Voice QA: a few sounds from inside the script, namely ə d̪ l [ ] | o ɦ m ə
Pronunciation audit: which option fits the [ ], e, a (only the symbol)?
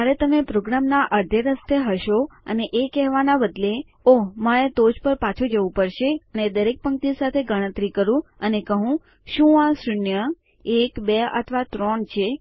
e